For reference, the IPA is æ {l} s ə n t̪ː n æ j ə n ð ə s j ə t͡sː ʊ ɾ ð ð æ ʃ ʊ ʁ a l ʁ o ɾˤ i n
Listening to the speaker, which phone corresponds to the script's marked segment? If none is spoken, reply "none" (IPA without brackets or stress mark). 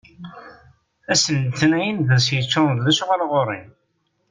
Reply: none